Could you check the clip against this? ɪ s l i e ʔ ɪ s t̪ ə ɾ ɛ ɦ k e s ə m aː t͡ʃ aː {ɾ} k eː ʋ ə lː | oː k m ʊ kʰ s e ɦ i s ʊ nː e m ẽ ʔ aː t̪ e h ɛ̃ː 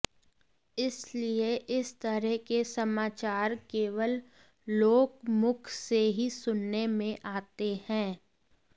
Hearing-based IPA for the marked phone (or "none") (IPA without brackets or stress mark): ɾ